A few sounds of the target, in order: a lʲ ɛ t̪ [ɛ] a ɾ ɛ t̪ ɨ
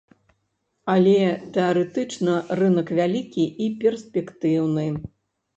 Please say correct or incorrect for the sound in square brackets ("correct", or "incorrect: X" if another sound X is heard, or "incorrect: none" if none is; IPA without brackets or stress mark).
correct